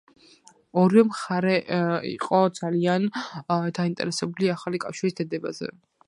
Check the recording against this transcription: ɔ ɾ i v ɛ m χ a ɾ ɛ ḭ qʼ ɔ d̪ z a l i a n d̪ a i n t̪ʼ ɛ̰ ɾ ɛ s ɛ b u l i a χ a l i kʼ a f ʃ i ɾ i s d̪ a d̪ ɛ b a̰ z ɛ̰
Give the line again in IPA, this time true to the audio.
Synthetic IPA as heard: ɔ ɾ i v ɛ m χ a ɾ ɛ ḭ qʼ ɔ d̪ z a l i a n d̪ a i n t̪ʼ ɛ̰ ɾ ɛ s ɛ b u l i a χ a l i kʼ a f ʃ i ɾ i s d̪ a d̪ ɛ b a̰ z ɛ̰